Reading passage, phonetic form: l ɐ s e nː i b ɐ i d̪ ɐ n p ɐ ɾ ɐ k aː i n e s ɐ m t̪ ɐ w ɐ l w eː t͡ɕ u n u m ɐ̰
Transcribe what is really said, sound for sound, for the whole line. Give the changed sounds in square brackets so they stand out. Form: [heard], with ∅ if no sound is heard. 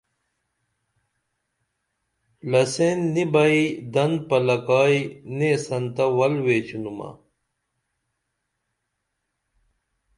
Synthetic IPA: l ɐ s e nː i b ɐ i d̪ ɐ n p ɐ [l] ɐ k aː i n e s ɐ [n] t̪ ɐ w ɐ l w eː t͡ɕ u n u m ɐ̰